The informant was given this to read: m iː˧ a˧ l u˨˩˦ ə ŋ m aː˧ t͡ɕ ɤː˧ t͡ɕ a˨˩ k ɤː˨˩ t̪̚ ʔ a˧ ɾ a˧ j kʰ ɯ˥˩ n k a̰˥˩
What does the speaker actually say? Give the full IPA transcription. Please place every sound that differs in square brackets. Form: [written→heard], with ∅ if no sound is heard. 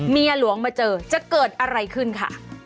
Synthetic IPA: m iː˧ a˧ l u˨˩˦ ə ŋ m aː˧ t͡ɕ ɤː˧ t͡ɕ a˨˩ k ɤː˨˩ t̪̚ ʔ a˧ ɾ a˧ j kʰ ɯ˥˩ n [k→kʰ] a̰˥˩